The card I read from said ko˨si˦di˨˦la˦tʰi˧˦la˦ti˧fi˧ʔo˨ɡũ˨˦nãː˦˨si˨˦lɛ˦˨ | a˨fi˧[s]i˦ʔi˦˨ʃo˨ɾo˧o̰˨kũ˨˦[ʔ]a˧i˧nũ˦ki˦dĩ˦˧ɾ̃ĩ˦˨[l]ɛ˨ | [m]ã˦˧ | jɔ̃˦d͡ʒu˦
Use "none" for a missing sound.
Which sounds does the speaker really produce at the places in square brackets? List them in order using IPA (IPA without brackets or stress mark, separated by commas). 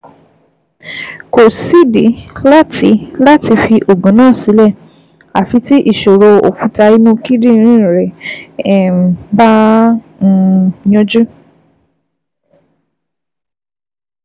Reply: t, t, ɾ, b